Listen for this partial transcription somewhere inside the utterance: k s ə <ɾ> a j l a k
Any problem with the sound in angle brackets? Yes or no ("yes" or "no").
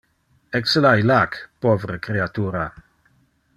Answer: yes